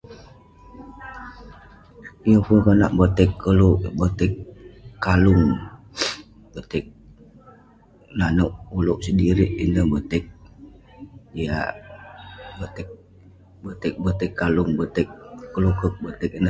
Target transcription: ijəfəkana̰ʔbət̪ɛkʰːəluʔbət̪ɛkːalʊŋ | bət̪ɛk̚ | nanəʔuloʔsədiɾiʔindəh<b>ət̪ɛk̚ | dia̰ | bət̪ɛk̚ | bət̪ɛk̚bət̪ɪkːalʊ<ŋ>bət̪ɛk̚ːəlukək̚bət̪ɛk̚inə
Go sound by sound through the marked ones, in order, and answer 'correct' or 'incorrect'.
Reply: correct, correct

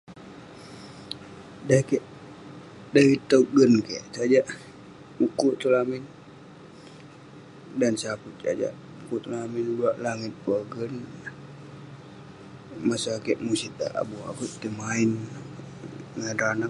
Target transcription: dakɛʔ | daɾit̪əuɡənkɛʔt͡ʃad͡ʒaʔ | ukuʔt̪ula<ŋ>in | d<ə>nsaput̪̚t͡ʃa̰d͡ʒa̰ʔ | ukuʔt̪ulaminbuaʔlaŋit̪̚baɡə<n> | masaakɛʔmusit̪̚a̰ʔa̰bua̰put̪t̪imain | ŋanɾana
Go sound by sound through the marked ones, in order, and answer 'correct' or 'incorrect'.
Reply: incorrect: m, incorrect: a, correct

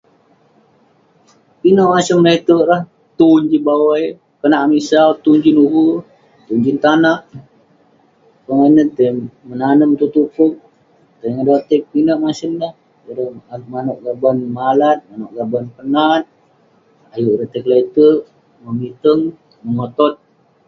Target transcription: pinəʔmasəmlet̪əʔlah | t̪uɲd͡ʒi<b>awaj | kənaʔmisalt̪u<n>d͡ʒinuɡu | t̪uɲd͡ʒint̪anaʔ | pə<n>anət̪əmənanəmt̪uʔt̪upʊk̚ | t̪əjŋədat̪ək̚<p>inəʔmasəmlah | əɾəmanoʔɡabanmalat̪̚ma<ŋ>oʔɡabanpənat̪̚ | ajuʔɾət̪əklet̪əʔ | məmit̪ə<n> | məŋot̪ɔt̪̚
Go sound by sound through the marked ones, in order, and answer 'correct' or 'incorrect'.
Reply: correct, incorrect: ɲ, incorrect: ŋ, correct, incorrect: n, incorrect: ŋ

